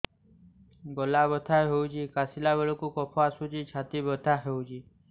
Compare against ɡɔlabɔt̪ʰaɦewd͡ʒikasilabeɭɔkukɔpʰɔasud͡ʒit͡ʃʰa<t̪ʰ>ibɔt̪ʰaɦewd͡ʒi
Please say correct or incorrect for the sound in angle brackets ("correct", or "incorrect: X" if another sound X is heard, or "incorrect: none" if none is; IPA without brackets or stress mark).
incorrect: t̪